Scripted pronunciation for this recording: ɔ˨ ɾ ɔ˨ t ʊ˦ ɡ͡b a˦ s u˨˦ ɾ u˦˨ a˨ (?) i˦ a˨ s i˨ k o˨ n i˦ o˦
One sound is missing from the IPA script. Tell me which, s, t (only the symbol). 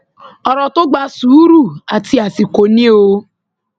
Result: t